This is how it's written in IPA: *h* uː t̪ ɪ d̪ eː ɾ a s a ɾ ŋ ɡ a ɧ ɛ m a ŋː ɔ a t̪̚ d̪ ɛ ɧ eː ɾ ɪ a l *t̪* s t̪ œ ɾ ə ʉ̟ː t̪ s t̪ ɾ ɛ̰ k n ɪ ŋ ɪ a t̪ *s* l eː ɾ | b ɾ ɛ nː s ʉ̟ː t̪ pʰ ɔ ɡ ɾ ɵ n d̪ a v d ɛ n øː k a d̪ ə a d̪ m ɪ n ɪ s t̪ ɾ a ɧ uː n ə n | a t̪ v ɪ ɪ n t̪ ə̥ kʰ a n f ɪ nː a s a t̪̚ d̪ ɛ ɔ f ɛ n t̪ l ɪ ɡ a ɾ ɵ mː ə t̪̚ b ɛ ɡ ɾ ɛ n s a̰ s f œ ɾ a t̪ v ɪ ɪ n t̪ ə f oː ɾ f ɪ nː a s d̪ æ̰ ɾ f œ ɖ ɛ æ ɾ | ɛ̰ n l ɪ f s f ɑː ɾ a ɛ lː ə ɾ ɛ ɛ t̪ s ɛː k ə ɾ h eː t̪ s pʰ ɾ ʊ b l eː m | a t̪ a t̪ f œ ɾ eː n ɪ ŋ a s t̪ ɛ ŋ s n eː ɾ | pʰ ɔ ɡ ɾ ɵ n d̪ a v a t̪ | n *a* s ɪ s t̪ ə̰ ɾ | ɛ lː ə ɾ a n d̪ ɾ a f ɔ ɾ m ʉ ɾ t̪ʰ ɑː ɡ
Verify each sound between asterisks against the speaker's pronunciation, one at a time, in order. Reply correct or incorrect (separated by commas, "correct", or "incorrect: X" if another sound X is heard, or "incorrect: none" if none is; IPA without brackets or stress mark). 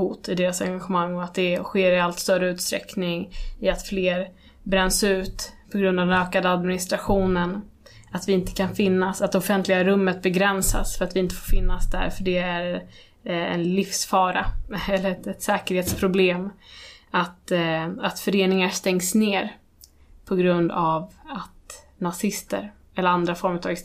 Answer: correct, correct, incorrect: f, correct